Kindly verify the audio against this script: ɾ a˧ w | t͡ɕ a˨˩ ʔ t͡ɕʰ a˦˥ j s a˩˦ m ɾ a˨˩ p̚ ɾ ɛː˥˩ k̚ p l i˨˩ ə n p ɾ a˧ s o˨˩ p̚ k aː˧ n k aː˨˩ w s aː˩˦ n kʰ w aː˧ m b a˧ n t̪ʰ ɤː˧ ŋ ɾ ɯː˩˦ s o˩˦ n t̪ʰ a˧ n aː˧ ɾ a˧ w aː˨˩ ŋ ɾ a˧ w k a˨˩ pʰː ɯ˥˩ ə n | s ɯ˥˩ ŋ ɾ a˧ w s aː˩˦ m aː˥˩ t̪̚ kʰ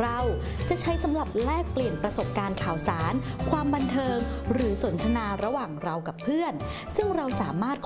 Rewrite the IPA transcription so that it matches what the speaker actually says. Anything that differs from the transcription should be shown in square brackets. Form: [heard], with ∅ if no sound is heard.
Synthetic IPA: ɾ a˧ w | t͡ɕ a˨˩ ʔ t͡ɕʰ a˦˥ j s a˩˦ m ɾ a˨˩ p̚ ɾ ɛː˥˩ k̚ p l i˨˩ ə n p ɾ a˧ s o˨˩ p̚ k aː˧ n [kʰ] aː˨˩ w s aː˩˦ n kʰ w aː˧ m b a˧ n t̪ʰ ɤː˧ ŋ ɾ ɯː˩˦ s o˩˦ n t̪ʰ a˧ n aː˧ ɾ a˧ w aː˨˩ ŋ ɾ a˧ w k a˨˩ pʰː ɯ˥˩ ə n | s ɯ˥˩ ŋ ɾ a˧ w s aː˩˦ m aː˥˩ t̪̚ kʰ